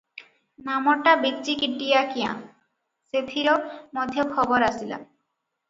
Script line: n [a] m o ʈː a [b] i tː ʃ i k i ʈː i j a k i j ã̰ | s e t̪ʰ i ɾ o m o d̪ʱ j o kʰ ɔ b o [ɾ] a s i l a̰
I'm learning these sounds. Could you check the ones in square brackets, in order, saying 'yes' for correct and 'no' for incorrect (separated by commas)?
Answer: yes, yes, yes